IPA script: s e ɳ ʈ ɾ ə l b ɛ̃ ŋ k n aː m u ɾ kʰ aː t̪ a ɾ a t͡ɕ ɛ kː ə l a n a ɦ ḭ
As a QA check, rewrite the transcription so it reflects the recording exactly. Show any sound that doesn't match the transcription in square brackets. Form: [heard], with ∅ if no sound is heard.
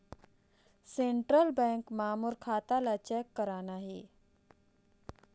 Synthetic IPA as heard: s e ɳ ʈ ɾ ə l b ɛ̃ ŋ k [m] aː m u ɾ kʰ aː t̪ a [l] a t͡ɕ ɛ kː ə [ɾ] a n a ɦ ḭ